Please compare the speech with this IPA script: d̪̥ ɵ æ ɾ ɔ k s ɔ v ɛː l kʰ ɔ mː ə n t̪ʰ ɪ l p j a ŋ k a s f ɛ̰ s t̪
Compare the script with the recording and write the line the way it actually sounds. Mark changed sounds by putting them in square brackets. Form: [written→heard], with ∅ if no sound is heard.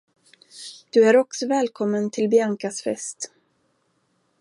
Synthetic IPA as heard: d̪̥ ɵ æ ɾ ɔ k s ɔ v ɛː l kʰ ɔ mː ə n t̪ʰ ɪ l [p→b] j a ŋ k a s f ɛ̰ s t̪